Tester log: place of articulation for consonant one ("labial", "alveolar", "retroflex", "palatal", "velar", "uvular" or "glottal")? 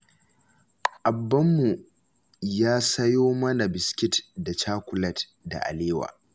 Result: glottal